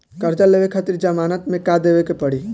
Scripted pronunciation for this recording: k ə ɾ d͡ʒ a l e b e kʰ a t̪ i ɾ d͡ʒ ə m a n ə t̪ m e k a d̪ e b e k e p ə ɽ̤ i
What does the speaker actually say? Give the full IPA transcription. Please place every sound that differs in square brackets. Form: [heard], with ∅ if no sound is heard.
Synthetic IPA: k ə ɾ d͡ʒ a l e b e kʰ a t̪ i ɾ d͡ʒ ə m a n ə t̪ m e k a d̪ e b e k e p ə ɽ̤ i